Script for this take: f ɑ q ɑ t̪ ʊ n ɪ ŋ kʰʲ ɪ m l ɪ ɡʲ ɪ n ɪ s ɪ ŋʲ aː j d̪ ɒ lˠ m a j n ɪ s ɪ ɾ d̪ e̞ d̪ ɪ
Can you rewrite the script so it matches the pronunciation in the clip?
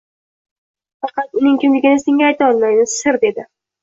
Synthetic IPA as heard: f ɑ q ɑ t̪ ʊ n ɪ ŋ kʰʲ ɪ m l ɪ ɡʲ ɪ n ɪ s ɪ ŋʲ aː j t̪ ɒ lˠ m a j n ɪ s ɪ ɾ d̪ e̞ d̪ ɪ